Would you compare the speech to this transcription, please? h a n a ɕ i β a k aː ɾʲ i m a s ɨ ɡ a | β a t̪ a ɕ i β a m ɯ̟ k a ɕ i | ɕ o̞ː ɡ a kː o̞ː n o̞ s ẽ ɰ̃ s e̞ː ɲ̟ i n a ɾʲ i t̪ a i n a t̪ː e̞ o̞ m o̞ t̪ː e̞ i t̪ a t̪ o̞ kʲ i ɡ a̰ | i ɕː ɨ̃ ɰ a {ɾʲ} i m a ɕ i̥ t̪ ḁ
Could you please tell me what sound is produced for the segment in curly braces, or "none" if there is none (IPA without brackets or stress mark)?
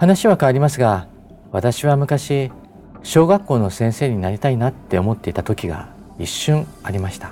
ɾʲ